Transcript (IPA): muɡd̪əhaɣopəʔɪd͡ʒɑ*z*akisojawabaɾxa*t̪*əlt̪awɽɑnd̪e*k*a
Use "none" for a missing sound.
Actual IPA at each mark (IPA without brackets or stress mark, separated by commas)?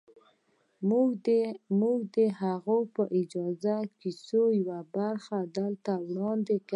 z, d̪, k